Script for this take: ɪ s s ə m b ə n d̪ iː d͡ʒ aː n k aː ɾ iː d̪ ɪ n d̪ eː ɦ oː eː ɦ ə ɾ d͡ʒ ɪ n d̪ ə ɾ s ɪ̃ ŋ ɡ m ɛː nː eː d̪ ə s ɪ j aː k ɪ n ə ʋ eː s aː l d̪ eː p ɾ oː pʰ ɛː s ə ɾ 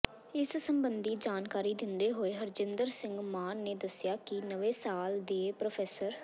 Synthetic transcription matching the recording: ɪ s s ə m b ə n d̪ iː d͡ʒ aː n k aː ɾ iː d̪ ɪ n d̪ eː ɦ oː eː ɦ ə ɾ d͡ʒ ɪ n d̪ ə ɾ s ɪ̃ ŋ ɡ m aː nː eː d̪ ə s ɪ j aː k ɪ n ə ʋ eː s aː l d̪ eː p ɾ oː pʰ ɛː s ə ɾ

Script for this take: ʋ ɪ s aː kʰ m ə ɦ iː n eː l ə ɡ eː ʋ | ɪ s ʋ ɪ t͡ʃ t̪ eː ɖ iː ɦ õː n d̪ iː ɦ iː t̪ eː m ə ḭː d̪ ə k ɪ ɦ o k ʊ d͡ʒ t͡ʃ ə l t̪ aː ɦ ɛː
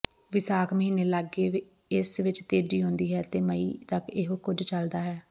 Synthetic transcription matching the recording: ʋ ɪ s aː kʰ m ə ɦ iː n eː l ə ɡ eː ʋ | ɪ s ʋ ɪ t͡ʃ t̪ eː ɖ iː ɦ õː n d̪ iː ɦ ɛː t̪ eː m ə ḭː t̪ ə k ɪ ɦ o k ʊ d͡ʒ t͡ʃ ə l d̪ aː ɦ ɛː

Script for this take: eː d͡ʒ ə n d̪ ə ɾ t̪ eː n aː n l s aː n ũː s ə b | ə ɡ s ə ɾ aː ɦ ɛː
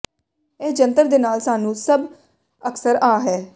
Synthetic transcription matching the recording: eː d͡ʒ ə n t̪ ə ɾ d̪ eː n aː l s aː n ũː s ə b | ə k s ə ɾ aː ɦ ɛː

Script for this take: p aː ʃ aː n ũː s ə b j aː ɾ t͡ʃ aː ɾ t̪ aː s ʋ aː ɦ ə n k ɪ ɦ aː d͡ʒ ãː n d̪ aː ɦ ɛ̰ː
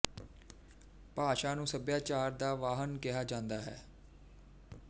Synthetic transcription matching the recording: p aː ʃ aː n ũː s ə b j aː t͡ʃ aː ɾ d̪ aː ʋ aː ɦ ə n k ɪ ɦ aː d͡ʒ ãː n d̪ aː ɦ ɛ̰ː

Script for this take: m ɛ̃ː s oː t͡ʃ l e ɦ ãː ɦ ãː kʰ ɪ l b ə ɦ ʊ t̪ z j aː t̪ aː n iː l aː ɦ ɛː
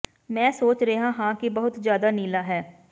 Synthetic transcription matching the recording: m ɛ̃ː s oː t͡ʃ ɾ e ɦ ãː ɦ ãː k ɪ b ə ɦ ʊ t̪ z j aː d̪ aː n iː l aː ɦ ɛː

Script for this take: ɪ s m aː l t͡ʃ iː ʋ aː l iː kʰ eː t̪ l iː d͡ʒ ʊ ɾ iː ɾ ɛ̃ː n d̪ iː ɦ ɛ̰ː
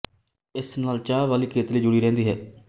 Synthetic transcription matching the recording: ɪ s n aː l t͡ʃ aː ʋ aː l iː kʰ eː t̪ l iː d͡ʒ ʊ ɽ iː ɾ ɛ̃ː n d̪ iː ɦ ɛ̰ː

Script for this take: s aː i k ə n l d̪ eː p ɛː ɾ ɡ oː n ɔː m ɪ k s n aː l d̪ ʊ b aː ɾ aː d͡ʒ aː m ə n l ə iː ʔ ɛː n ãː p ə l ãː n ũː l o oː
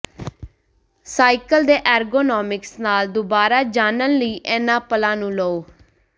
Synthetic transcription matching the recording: s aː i k ə l d̪ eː ʔ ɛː ɾ ɡ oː n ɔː m ɪ k s n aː l d̪ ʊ b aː ɾ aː d͡ʒ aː n ə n l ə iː ʔ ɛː n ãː p ə l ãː n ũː l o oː

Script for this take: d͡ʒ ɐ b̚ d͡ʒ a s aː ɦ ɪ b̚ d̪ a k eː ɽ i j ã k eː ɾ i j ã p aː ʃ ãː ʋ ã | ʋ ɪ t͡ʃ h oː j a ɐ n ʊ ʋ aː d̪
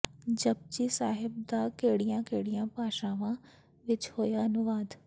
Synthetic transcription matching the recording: d͡ʒ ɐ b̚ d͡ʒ i s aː ɦ ɪ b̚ d̪ a k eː ɽ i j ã k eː ɽ i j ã p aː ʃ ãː ʋ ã | ʋ ɪ t͡ʃ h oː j a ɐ n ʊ ʋ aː d̪

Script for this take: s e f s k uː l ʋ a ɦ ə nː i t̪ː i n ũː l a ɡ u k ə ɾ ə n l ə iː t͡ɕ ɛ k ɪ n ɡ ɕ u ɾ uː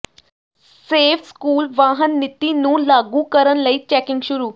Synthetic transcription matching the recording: s e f s k uː l ʋ a ɦ ə nː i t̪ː i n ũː l a ɡ u k ə ɾ ə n l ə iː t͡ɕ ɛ k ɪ ŋ ɡ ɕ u ɾ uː

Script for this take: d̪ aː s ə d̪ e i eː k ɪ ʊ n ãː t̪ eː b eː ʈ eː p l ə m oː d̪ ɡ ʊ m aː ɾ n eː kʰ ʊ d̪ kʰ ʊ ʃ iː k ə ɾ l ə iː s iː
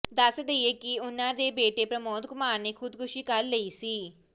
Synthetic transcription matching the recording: d̪ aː s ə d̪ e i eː k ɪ ʊ n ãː d̪ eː b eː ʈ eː p ɾ ə m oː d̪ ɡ ʊ m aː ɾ n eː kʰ ʊ d̪ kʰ ʊ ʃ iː k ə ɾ l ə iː s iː

